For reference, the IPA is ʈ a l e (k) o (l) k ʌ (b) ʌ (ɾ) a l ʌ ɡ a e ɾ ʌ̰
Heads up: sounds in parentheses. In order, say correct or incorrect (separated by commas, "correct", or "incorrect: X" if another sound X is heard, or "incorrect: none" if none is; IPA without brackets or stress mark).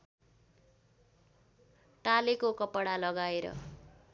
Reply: correct, incorrect: none, incorrect: p, incorrect: ɽ